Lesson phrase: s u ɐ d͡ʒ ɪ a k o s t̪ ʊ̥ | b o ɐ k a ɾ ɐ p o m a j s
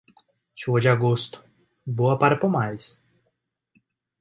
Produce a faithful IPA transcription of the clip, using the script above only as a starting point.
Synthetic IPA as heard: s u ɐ d͡ʒ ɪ a ɡ o s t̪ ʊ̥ | b o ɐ p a ɾ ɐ p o m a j s